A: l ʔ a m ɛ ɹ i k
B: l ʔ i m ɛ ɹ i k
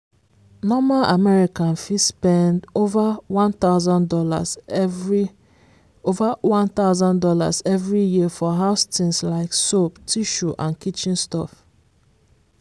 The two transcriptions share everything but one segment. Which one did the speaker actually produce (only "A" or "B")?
A